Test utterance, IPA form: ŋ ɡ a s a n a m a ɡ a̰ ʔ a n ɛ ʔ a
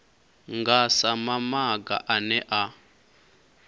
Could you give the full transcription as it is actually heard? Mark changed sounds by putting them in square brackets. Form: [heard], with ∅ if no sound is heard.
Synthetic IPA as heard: ŋ ɡ a s a [m] a m a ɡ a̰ ʔ a n ɛ ʔ a